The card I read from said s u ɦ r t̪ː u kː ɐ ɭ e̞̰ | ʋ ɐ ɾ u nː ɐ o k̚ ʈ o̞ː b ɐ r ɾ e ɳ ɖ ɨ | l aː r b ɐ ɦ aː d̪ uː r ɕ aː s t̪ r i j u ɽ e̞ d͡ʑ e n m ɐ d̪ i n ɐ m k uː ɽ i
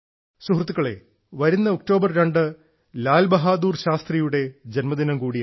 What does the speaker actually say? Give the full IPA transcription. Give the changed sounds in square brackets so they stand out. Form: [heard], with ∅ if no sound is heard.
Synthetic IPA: s u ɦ r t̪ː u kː ɐ ɭ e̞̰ | ʋ ɐ ɾ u nː ɐ o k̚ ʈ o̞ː b ɐ r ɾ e ɳ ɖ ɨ | l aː [l] b ɐ ɦ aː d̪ uː r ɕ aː s t̪ r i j u ɽ e̞ d͡ʑ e n m ɐ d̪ i n ɐ m k uː ɽ i